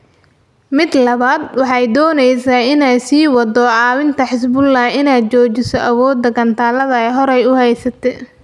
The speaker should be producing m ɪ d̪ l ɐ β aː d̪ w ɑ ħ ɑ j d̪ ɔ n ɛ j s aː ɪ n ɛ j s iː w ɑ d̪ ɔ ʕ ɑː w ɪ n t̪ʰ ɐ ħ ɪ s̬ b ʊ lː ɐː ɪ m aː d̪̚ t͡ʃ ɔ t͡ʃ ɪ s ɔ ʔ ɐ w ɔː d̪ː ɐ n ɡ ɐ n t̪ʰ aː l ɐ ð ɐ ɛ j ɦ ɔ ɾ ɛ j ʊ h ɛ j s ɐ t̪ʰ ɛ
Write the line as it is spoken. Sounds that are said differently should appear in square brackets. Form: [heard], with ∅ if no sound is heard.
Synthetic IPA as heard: m ɪ d̪ l ɐ β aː d̪ w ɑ ħ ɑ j d̪ [ɔː] n ɛ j s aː ɪ n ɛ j s iː w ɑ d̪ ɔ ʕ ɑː w ɪ n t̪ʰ ɐ ħ ɪ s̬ b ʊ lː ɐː ɪ [n] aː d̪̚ t͡ʃ [ɔː] t͡ʃ ɪ s ɔ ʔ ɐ w ɔː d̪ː ɐ [∅] ɡ ɐ n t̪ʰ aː l ɐ ð ɐ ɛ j ɦ ɔ ɾ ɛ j ʊ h ɛ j s ɐ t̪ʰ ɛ